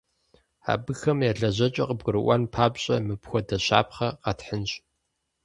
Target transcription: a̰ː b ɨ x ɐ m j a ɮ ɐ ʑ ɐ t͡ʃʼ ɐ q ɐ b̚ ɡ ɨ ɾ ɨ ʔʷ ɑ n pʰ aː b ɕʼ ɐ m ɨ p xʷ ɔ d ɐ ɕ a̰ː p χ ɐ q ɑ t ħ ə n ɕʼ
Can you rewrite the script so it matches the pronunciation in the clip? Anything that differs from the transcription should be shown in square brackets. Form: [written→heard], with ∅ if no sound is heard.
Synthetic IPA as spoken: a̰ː b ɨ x ɐ m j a ɮ ɐ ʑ ɐ t͡ʃʼ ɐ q [ɐ→ə] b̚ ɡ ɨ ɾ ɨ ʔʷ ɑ n pʰ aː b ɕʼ ɐ m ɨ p xʷ ɔ d ɐ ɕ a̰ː p χ ɐ q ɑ t ħ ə n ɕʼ